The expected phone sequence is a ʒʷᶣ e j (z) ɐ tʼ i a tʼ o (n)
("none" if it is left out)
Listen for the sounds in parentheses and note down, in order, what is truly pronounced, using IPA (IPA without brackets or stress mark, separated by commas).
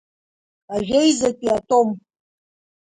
z, m